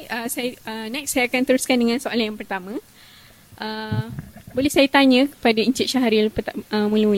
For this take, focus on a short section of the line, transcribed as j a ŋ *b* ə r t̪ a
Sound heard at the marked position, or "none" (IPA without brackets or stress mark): p